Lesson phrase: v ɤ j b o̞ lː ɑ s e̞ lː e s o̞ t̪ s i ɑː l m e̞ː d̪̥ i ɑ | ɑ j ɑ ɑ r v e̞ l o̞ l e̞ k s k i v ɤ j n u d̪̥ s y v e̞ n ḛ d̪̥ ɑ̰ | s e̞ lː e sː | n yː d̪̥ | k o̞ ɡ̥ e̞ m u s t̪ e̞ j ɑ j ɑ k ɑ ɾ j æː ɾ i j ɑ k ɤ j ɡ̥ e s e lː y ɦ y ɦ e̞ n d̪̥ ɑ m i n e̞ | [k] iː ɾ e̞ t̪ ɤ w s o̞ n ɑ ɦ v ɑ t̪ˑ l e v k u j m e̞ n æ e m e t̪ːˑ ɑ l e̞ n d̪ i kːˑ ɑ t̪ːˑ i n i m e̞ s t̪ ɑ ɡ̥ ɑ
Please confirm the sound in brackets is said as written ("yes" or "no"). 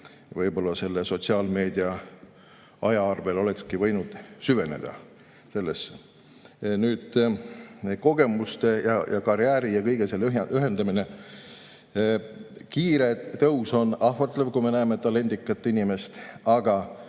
yes